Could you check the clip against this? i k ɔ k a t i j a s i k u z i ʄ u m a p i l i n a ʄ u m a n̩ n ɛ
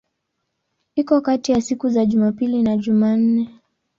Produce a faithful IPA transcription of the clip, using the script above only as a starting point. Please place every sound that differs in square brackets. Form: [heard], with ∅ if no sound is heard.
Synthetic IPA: i k ɔ k a t i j a s i k u z [a] ʄ u m a p i l i n a ʄ u m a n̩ n ɛ